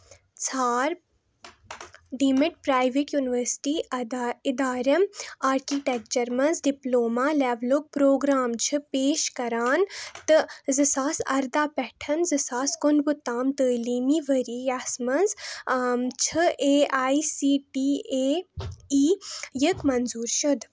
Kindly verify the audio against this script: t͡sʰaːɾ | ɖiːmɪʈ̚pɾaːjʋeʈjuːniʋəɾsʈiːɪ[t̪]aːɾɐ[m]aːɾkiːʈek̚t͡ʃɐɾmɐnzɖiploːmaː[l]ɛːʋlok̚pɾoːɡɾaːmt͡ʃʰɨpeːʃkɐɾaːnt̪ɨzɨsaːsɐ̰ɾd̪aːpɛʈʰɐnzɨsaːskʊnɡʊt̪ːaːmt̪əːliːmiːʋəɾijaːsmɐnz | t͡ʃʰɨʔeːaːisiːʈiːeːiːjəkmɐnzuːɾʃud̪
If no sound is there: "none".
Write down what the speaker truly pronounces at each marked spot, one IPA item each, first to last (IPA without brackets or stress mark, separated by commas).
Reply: d̪, m, l